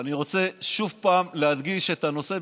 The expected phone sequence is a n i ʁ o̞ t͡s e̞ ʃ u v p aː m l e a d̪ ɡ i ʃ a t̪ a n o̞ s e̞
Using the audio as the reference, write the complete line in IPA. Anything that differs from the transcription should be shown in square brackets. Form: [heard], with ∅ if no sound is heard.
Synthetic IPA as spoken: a n i ʁ o̞ t͡s e̞ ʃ u v p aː m l e a d̪ ɡ i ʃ [e] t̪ a n o̞ s e̞